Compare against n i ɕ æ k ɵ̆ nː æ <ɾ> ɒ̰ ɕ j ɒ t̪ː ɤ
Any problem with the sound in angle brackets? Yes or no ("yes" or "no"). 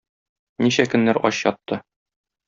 no